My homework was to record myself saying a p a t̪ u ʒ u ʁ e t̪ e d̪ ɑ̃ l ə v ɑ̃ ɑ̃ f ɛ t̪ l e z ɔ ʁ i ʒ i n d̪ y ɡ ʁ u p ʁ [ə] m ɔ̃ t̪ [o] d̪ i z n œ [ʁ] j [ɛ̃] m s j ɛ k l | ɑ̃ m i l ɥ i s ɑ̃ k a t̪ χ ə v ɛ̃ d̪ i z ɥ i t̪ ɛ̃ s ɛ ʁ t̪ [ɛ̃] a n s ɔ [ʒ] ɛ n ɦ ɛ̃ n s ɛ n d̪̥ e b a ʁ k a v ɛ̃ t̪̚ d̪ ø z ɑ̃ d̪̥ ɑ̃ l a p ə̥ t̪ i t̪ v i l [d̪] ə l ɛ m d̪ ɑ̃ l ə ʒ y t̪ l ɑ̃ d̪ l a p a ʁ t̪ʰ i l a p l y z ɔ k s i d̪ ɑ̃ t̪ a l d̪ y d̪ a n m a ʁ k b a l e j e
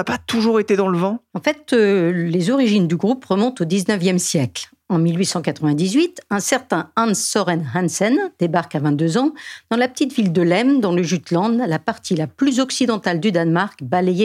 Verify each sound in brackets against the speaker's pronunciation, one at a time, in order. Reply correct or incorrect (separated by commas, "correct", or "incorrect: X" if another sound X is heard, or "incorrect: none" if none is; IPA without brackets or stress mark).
correct, correct, incorrect: v, incorrect: ɛ, correct, incorrect: ʁ, correct